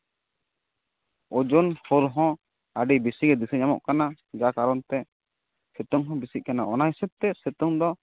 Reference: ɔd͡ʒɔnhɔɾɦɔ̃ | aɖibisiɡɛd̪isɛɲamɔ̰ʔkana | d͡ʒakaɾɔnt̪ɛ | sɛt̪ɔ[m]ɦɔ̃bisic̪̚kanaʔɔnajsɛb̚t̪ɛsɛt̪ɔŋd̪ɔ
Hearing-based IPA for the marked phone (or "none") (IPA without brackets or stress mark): ŋ